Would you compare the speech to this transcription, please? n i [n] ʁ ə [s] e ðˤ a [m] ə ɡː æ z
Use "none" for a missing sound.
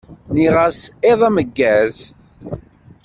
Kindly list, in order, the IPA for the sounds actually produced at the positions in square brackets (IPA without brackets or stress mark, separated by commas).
none, s, m